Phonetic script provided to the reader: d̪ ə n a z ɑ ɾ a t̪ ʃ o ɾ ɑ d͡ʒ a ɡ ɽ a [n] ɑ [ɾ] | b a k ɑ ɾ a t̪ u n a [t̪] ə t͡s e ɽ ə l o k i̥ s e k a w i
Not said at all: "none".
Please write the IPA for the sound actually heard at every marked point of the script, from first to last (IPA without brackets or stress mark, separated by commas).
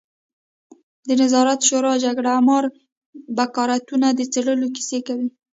m, ɾ, d̪